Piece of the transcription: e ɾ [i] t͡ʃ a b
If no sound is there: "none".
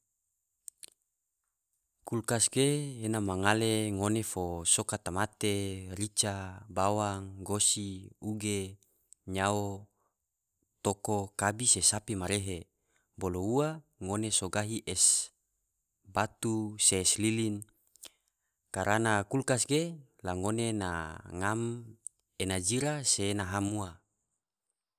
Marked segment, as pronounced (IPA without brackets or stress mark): i